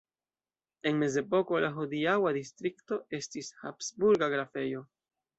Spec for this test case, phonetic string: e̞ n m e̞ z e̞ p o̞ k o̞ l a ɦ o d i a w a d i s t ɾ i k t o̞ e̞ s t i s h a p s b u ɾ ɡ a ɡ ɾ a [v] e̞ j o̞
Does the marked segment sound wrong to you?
yes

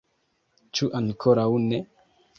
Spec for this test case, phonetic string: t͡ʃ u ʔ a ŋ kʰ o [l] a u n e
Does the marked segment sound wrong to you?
yes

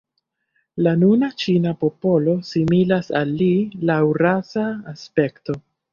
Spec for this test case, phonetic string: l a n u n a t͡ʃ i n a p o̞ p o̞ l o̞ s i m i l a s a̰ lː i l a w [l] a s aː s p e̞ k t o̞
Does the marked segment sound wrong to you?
yes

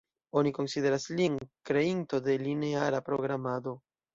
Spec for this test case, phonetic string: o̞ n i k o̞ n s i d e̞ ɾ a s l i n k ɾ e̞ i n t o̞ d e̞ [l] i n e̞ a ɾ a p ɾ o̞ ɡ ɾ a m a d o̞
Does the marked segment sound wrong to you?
no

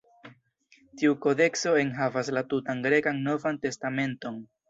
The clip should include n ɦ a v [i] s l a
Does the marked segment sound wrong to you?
yes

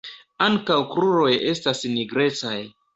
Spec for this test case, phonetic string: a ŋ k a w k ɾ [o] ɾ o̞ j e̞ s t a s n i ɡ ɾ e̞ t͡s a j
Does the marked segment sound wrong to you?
yes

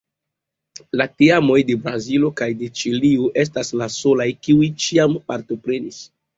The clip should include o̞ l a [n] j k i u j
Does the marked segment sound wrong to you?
yes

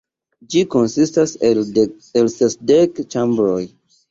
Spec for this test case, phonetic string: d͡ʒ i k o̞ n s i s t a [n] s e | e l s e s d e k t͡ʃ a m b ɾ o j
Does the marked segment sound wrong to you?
yes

